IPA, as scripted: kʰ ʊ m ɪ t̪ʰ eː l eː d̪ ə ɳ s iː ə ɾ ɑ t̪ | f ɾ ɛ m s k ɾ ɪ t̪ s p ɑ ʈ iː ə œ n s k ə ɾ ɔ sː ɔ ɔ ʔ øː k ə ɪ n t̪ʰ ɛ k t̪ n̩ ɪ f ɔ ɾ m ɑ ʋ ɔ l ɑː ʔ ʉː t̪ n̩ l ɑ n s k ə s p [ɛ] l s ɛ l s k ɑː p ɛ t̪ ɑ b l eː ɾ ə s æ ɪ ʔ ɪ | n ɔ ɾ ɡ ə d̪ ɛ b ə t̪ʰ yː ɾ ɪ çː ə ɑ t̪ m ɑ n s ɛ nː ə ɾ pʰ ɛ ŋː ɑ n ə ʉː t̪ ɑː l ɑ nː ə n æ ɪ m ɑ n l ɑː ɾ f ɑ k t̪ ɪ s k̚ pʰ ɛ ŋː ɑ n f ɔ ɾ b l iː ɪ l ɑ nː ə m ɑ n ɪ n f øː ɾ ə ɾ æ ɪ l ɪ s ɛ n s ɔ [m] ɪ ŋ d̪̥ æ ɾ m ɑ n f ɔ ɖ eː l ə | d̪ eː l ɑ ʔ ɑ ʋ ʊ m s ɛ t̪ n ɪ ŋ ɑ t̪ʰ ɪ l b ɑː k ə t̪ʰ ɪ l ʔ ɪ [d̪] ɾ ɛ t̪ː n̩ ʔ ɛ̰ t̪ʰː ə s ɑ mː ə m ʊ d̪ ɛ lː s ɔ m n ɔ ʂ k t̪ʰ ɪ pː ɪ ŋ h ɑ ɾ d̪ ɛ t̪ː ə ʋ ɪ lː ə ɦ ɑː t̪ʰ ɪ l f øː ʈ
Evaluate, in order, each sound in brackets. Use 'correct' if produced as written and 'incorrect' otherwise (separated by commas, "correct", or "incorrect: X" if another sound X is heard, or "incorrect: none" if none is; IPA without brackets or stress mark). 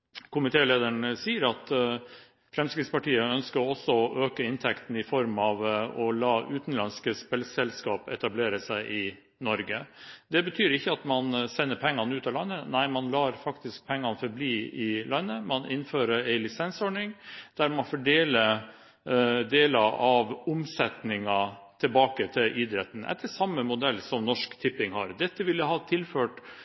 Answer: correct, incorrect: ɳ, correct